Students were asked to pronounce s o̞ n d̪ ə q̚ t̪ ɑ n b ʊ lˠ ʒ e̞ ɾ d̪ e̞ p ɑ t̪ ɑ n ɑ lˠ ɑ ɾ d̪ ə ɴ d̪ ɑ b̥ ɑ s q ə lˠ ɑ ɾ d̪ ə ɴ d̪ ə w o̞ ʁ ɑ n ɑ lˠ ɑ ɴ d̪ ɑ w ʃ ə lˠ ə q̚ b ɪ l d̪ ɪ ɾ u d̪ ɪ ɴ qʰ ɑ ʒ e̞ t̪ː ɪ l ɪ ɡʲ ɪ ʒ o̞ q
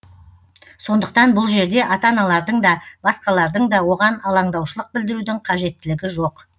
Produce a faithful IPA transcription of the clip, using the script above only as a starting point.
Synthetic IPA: s o̞ n d̪ ə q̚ t̪ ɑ n b ʊ lˠ ʒ e̞ ɾ d̪ e̞ ʔ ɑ t̪ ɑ n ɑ lˠ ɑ ɾ d̪ ə ɴ d̪ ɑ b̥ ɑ s q ɑ lˠ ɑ ɾ d̪ ə ɴ d̪ ɑ w o̞ ʁ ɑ n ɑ lˠ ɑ ɴ d̪ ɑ w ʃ ə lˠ ə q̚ b ɪ l d̪ ɪ ɾ u d̪ ɪ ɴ qʰ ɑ ʒ e̞ t̪ː ɪ l ɪ ɡʲ ɪ ʒ o̞ q